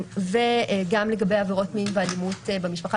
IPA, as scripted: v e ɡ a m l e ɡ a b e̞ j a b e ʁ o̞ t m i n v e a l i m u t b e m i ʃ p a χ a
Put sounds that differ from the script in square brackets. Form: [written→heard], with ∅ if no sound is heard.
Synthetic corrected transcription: v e ɡ a m l e ɡ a b e̞ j a [b→v] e ʁ o̞ t m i n v e a l i m u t b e m i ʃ p a χ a